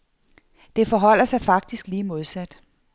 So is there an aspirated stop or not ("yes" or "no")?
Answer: no